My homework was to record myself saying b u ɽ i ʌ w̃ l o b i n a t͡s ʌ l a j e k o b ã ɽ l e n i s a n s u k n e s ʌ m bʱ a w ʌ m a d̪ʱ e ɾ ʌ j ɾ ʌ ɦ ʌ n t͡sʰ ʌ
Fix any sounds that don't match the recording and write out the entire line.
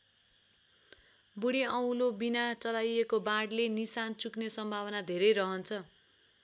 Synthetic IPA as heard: b u ɽ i ʌ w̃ l o b i n a t͡s ʌ l a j e k o b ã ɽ l e n i s a n t͡s u k n e s ʌ m bʱ a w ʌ n a d̪ʱ e ɾ ʌ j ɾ ʌ ɦ ʌ n t͡sʰ ʌ